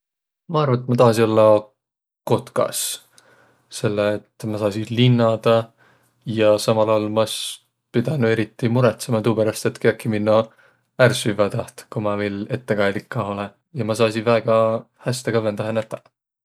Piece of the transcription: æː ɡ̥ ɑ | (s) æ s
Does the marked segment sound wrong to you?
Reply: yes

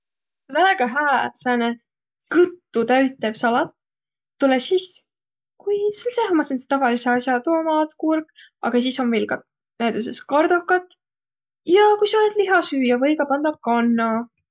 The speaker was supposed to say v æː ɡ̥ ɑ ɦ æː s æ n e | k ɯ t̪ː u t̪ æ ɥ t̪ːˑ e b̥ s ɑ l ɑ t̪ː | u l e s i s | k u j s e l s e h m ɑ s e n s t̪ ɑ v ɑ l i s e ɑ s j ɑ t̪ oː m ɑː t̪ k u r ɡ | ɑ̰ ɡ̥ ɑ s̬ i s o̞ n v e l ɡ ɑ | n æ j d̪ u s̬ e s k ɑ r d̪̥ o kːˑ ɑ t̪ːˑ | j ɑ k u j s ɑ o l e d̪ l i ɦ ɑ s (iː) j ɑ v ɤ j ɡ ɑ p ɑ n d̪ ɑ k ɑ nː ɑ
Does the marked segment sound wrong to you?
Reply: yes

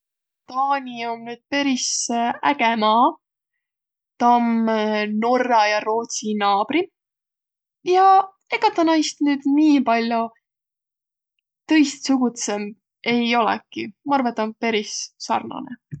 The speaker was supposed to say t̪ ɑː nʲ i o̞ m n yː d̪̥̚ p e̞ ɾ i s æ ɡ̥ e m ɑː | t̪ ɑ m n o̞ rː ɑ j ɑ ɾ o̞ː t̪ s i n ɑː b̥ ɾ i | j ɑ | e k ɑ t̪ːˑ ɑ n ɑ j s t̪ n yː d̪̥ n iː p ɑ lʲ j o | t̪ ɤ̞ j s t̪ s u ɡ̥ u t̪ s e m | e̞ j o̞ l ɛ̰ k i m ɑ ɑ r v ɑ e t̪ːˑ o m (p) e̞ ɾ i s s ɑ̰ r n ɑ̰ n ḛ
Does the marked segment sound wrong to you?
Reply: no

